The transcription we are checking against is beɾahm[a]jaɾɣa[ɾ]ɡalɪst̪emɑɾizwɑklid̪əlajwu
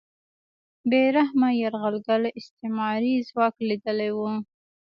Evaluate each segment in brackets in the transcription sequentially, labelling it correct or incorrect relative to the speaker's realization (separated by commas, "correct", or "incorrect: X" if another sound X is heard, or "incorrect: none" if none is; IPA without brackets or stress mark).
correct, incorrect: l